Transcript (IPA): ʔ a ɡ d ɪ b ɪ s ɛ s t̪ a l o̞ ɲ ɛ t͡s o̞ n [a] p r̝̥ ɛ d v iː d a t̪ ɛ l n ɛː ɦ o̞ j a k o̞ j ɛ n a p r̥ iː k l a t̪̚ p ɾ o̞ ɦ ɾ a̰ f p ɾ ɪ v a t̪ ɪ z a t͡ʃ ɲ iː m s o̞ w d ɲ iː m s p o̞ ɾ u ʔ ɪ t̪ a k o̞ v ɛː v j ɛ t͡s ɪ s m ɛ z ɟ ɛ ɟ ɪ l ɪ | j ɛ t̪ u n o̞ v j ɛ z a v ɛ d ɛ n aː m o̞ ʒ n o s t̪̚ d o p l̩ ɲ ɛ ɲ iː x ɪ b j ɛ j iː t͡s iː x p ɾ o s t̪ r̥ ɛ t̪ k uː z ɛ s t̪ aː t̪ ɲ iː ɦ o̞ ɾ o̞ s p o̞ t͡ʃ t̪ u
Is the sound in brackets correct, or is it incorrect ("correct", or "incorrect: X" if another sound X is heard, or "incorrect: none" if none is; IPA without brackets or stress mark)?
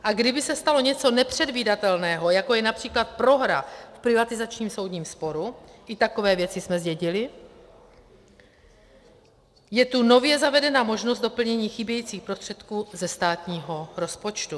incorrect: ɛ